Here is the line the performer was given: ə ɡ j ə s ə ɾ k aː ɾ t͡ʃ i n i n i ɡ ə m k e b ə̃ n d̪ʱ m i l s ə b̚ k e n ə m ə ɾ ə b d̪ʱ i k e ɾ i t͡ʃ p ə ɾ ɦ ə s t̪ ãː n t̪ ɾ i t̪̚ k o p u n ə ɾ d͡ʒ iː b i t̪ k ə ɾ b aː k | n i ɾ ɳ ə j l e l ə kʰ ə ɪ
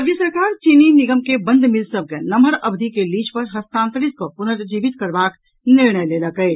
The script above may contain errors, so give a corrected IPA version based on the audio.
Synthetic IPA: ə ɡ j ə s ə ɾ k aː ɾ t͡ʃ i n i n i ɡ ə m k e b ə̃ n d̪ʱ m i l s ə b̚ k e n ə m ə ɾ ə b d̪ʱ i k e l i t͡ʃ p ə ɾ ɦ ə s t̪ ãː n t̪ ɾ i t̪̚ k o p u n ə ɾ d͡ʒ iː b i t̪ k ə ɾ b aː k | n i ɾ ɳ ə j l e l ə k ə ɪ